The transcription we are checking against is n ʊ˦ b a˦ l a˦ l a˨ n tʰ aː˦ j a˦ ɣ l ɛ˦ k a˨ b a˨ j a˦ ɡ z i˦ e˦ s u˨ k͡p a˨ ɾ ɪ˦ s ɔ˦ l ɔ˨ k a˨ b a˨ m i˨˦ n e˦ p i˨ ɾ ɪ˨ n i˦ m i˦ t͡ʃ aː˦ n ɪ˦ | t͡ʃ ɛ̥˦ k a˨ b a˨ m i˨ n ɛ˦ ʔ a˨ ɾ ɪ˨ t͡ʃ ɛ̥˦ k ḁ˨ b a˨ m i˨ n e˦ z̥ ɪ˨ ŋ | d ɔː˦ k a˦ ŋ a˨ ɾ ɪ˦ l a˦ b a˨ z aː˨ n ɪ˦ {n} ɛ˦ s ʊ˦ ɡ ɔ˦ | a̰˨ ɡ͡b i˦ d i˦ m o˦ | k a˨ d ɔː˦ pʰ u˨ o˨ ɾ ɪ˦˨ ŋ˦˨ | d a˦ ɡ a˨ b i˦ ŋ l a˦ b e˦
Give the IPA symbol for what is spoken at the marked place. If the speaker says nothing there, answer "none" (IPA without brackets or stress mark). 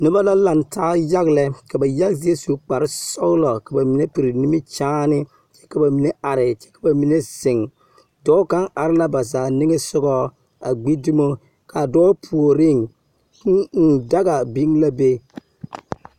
ŋ